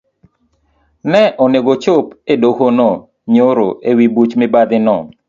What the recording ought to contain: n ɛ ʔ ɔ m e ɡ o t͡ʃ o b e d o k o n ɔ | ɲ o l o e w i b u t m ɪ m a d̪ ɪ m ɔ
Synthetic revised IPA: n ɛ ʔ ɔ n e ɡ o t͡ʃ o p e d o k o n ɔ | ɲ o ɾ o e w i b u t͡ʃ m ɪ b a d̪ ɪ n ɔ